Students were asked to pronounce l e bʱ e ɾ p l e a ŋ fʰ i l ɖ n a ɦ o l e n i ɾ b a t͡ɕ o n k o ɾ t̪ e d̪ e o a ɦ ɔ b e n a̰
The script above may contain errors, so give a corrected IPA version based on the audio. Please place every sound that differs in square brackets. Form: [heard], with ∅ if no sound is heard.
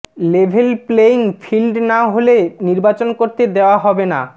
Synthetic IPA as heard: l e bʱ e [l] p l e [i] ŋ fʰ i l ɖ n a ɦ o l e n i ɾ b a t͡ɕ o n k o ɾ t̪ e d̪ e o a ɦ ɔ b e n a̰

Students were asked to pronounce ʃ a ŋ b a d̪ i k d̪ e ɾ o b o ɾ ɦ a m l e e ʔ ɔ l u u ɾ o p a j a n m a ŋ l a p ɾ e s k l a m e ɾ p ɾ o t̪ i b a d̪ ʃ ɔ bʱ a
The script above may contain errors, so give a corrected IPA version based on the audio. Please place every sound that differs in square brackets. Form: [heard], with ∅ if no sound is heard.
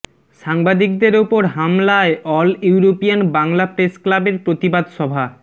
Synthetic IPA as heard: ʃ a ŋ b a d̪ i k d̪ e ɾ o [p] o ɾ ɦ a m l [a] e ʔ ɔ l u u ɾ o p [i] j a n [b] a ŋ l a p ɾ e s k l a [b] e ɾ p ɾ o t̪ i b a d̪ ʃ ɔ bʱ a

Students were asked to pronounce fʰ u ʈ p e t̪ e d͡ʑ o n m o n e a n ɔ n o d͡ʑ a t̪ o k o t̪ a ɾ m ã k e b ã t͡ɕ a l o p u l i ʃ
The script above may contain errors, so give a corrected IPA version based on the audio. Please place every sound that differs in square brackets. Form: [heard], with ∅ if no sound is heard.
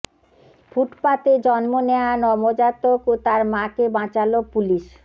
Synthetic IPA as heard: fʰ u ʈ p [a] t̪ e d͡ʑ [ɔ] n m o n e a n ɔ [m] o d͡ʑ a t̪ o k o t̪ a ɾ m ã k e b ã t͡ɕ a l o p u l i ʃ

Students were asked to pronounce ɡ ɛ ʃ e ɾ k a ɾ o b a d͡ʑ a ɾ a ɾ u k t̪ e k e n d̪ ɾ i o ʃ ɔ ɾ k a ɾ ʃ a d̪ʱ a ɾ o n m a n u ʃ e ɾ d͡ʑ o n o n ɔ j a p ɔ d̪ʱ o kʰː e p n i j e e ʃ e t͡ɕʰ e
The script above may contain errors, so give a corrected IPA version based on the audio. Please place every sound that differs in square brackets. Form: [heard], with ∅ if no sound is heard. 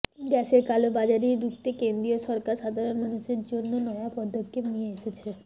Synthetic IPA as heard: ɡ ɛ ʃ e ɾ k a [l] o b a d͡ʑ a ɾ [i] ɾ u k t̪ e k e n d̪ ɾ i o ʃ ɔ ɾ k a ɾ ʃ a d̪ʱ a ɾ o n m a n u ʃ e ɾ d͡ʑ o [nː] o n ɔ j a p ɔ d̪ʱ o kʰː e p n i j e e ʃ e t͡ɕʰ e

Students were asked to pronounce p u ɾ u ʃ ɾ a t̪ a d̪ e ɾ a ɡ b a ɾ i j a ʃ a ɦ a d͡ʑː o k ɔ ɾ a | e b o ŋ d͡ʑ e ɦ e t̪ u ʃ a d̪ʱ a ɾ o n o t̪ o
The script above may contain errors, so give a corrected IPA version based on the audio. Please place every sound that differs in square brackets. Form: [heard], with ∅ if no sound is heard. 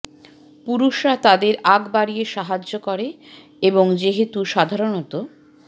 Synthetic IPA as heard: p u ɾ u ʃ ɾ a t̪ a d̪ e ɾ a ɡ b a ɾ i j [e] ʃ a ɦ a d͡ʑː o k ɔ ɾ [e] | e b o ŋ d͡ʑ e ɦ e t̪ u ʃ a d̪ʱ a ɾ o n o t̪ o

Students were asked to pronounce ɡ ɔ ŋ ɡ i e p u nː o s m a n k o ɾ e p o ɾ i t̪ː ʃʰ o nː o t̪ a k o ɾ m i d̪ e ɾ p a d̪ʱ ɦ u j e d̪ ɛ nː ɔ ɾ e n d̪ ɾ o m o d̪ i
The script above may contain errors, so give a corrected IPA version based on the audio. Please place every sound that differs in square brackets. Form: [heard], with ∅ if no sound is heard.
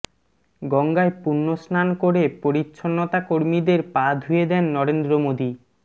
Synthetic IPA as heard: ɡ ɔ ŋ ɡ [a] e p u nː o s [n] a n k o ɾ e p o ɾ i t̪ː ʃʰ o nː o t̪ a k o ɾ m i d̪ e ɾ p a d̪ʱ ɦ u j e d̪ ɛ nː ɔ ɾ e n d̪ ɾ o m o d̪ i

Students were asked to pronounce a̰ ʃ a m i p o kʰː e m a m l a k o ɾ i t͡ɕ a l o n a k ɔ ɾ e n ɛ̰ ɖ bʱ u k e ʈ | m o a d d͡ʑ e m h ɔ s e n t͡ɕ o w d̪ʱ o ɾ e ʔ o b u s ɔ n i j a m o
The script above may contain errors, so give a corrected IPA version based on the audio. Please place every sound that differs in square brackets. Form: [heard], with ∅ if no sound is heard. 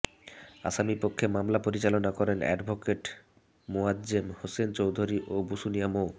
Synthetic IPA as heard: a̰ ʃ a m i p o kʰː e m a m l a [p] o ɾ i t͡ɕ a l o n a k ɔ ɾ e n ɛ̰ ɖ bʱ [o] k e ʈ | m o a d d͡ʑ e m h [o] s e n t͡ɕ o w d̪ʱ o ɾ [i] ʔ o b u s [u] n i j a m o

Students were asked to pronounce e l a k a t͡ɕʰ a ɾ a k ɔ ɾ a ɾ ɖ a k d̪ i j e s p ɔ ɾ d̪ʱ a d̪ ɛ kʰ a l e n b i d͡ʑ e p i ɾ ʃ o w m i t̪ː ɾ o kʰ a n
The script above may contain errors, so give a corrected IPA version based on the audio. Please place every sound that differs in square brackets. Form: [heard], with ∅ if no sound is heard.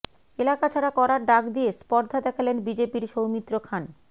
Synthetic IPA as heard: e l a k a t͡ɕʰ a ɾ a k ɔ ɾ a ɾ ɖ a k d̪ i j e s p ɔ ɾ d̪ʱ a d̪ ɛ kʰ a l e n b i d͡ʑ e p i ɾ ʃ o w m i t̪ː ɾ o kʰ a n

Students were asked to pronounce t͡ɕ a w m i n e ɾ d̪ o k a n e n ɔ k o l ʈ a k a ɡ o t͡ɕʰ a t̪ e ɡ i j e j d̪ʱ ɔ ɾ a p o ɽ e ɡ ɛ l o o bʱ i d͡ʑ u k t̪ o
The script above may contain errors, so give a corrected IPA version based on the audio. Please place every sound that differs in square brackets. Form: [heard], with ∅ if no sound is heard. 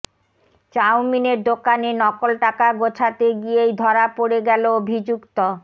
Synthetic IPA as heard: t͡ɕ a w m i n e ɾ d̪ o k a n e n ɔ k o l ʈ a k a ɡ o t͡ɕʰ a t̪ e ɡ i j e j d̪ʱ ɔ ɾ a p o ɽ e ɡ ɛ l o o bʱ i d͡ʑ u k t̪ o

